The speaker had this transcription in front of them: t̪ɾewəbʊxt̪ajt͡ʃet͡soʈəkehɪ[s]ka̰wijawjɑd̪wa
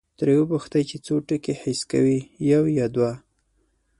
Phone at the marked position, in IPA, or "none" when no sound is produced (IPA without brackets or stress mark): s